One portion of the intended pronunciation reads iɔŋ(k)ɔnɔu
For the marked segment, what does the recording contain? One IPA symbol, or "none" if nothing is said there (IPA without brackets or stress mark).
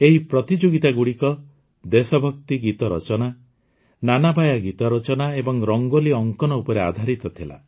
k